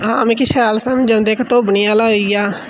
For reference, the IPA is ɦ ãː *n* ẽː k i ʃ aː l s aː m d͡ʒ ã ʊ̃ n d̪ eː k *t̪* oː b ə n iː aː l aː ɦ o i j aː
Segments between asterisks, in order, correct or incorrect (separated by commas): incorrect, correct